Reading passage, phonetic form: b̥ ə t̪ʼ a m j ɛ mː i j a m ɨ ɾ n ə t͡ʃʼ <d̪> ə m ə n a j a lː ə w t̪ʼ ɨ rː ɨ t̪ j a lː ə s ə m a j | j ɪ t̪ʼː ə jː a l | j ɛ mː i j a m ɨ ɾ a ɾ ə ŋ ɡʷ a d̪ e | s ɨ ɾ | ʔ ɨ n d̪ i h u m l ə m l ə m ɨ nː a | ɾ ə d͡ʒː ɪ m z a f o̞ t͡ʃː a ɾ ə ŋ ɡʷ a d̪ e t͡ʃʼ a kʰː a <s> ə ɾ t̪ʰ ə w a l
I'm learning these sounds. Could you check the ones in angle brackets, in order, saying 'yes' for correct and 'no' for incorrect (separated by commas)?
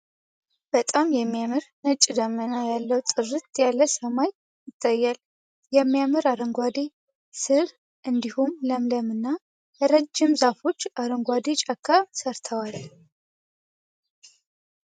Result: yes, yes